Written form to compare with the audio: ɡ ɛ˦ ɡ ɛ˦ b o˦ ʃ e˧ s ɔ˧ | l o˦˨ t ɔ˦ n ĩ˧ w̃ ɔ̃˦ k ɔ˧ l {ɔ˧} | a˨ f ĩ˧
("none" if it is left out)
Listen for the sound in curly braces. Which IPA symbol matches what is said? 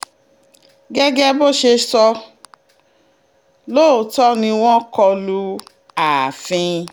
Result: u˧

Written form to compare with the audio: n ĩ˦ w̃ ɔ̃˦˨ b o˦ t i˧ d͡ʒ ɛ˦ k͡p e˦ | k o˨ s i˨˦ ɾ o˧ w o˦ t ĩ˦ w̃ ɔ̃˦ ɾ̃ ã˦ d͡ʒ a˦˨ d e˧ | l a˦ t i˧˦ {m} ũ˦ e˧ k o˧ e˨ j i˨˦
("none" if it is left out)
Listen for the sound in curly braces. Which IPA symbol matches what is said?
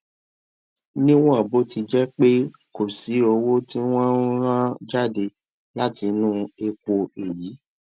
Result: n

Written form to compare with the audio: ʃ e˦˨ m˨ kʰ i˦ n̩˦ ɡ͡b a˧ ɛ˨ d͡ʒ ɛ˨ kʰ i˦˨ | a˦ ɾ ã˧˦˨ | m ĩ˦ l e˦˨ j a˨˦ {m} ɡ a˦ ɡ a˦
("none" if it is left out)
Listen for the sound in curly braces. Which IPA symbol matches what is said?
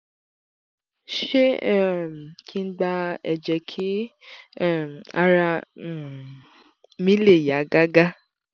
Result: none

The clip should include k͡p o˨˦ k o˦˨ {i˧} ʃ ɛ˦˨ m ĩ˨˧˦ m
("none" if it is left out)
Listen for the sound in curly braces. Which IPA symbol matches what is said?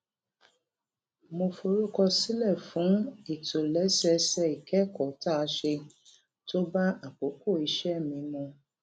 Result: i˧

